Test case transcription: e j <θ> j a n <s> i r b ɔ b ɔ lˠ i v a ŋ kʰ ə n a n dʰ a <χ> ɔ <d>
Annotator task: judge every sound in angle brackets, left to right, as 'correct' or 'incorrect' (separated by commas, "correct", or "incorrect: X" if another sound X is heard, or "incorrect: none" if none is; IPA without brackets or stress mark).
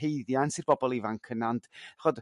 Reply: incorrect: ð, correct, correct, correct